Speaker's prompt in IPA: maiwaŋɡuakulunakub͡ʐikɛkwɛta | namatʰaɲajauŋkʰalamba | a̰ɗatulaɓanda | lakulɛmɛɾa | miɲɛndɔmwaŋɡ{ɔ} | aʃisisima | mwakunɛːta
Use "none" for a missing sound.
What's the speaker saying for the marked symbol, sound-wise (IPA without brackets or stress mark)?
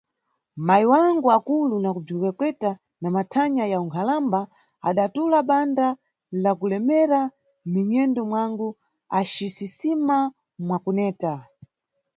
u